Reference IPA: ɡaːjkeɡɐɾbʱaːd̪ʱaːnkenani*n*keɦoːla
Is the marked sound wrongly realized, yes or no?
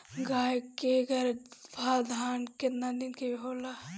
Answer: no